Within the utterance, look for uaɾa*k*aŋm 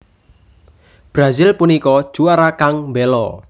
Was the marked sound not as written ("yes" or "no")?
no